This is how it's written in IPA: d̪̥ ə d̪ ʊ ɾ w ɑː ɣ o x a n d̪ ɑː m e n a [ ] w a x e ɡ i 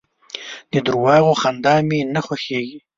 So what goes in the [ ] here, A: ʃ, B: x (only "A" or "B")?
B